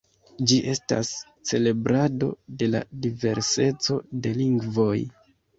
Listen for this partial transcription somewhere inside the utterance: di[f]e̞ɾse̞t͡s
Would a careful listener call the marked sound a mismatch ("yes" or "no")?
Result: yes